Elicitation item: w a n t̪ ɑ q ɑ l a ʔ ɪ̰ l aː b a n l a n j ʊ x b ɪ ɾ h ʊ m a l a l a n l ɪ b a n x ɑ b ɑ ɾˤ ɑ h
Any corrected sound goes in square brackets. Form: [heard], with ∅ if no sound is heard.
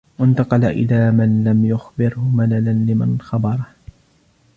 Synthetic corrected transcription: w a n t̪ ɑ q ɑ l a ʔ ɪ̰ l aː [m] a n l a [m] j ʊ x b ɪ ɾ h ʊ m a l a l a n l ɪ [m] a n x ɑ b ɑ ɾˤ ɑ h